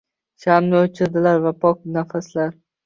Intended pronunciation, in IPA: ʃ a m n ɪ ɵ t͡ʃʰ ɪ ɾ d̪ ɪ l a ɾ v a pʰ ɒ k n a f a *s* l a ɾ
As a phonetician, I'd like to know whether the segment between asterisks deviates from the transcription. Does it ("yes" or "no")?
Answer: no